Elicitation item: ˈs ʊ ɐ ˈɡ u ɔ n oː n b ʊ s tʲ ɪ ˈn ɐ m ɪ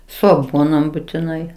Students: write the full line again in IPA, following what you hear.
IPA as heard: ˈs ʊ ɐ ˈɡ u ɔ n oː m b ʊ tʲ ɪ ˈn ɐ ɪ

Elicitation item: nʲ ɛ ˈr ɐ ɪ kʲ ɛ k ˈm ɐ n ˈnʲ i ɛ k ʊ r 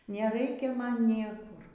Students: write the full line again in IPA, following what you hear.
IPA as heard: nʲ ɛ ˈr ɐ ɪ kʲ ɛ ˈm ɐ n ˈnʲ i ɛ k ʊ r

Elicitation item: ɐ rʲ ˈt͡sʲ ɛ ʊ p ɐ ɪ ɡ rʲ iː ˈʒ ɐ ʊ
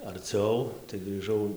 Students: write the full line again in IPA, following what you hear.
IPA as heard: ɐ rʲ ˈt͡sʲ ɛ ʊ t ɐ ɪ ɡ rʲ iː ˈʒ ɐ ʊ

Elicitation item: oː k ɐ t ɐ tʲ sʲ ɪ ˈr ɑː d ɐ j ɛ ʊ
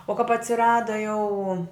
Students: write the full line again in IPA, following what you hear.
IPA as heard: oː k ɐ p ɐ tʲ sʲ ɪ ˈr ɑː d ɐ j ɛ ʊ

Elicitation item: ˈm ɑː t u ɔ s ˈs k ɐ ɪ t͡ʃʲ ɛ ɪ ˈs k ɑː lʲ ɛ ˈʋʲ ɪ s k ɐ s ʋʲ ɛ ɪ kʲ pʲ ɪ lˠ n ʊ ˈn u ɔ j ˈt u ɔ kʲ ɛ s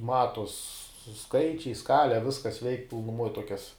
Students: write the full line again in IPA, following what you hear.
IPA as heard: ˈm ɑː t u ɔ s ˈs k ɐ ɪ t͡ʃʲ ɛ ɪ ˈs k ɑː lʲ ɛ ˈʋʲ ɪ s k ɐ s ʋʲ ɛ ɪ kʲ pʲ ɪ lˠ n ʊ ˈm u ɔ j ˈt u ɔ kʲ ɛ s

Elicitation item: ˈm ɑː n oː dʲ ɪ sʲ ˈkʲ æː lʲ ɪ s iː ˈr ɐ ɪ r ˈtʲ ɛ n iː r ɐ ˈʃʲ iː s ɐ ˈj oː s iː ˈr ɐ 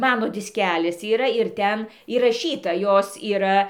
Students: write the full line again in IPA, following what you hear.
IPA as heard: ˈm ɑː n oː dʲ ɪ sʲ ˈkʲ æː lʲ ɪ s iː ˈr ɐ ɪ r ˈtʲ ɛ n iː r ɐ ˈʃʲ iː t ɐ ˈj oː s iː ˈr ɐ

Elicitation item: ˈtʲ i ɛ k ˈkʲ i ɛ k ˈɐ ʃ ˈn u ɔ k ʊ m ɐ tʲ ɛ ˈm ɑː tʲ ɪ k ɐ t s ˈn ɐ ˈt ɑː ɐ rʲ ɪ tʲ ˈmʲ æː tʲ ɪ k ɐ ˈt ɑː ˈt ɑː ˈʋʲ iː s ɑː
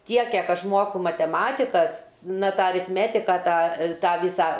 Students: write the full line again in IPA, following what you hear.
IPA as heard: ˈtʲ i ɛ k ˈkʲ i ɛ k ˈɐ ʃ ˈm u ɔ k ʊ m ɐ tʲ ɛ ˈm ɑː tʲ ɪ k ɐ s ˈn ɐ ˈt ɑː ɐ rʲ ɪ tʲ ˈmʲ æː tʲ ɪ k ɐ ˈt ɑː ˈt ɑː ˈʋʲ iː s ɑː

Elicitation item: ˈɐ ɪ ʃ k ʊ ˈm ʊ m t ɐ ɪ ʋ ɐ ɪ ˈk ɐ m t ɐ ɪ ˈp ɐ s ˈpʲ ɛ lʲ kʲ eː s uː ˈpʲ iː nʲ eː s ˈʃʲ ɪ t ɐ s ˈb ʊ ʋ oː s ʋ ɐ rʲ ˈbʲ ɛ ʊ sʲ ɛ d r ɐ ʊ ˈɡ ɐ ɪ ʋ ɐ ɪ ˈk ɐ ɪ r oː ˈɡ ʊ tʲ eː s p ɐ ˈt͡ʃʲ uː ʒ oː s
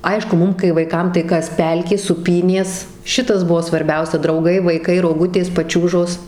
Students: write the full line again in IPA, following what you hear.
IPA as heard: ˈɐ ɪ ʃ k ʊ ˈm ʊ m k ɐ ɪ ʋ ɐ ɪ ˈk ɐ m t ɐ ɪ ˈk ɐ s ˈpʲ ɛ lʲ kʲ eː s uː ˈpʲ iː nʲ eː s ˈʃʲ ɪ t ɐ s ˈb ʊ ʋ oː s ʋ ɐ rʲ ˈbʲ ɛ ʊ sʲ ɛ d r ɐ ʊ ˈɡ ɐ ɪ ʋ ɐ ɪ ˈk ɐ ɪ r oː ˈɡ ʊ tʲ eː s p ɐ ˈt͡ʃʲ uː ʒ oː s

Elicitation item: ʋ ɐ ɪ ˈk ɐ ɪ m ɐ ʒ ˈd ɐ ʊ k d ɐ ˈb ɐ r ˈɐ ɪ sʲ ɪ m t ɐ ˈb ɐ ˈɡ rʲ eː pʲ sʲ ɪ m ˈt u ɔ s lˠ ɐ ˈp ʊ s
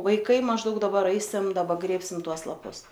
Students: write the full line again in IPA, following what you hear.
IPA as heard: ʋ ɐ ɪ ˈk ɐ ɪ m ɐ ʒ ˈd ɐ ʊ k d ɐ ˈb ɐ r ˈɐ ɪ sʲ ɪ m d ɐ ˈb ɐ ˈɡ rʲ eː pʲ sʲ ɪ m ˈt u ɔ s lˠ ɐ ˈp ʊ s

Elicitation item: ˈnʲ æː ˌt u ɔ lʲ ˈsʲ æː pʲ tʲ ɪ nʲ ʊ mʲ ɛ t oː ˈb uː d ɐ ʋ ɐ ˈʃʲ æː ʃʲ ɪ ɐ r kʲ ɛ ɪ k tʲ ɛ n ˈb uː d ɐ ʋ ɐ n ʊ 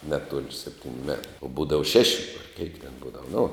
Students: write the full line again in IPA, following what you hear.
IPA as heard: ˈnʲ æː ˌt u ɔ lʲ ˈsʲ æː pʲ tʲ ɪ nʲ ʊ mʲ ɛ t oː ˈb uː d ɐ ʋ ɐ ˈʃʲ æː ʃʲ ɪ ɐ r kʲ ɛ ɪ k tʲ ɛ n ˈb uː d ɐ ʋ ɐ n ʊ

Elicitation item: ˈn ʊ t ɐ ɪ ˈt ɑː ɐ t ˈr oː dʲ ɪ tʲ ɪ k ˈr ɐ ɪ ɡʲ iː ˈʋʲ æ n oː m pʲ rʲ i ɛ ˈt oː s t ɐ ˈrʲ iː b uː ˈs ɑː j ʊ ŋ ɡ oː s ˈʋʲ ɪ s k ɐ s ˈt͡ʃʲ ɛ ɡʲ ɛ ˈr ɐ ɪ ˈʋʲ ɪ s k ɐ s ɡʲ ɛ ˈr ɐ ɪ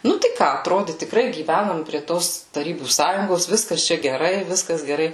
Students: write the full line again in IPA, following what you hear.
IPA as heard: ˈn ʊ t ɐ ɪ ˈk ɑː ɐ t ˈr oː dʲ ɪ tʲ ɪ k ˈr ɐ ɪ ɡʲ iː ˈʋʲ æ n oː m pʲ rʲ i ɛ ˈt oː s t ɐ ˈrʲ iː b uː ˈs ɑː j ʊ ŋ ɡ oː s ˈʋʲ ɪ s k ɐ s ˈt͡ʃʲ ɛ ɡʲ ɛ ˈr ɐ ɪ ˈʋʲ ɪ s k ɐ s ɡʲ ɛ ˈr ɐ ɪ

